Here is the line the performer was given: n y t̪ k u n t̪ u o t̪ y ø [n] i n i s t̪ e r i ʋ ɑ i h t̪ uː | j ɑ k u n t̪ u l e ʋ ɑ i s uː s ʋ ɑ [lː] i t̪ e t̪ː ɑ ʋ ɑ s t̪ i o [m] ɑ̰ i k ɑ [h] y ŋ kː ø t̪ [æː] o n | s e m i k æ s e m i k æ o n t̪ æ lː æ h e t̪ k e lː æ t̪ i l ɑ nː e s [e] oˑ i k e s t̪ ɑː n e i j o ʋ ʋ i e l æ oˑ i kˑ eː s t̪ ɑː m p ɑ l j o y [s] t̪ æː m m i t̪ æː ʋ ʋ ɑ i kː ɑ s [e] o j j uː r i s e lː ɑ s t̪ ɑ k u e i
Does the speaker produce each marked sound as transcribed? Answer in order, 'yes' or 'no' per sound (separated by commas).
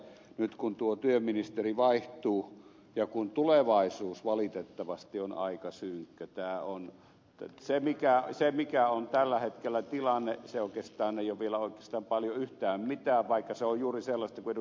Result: no, no, no, no, yes, yes, no, yes